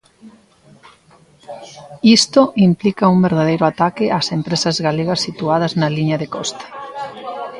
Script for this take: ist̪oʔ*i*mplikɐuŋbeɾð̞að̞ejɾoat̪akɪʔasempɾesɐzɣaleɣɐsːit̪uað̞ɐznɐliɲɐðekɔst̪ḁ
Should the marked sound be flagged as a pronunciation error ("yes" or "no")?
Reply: no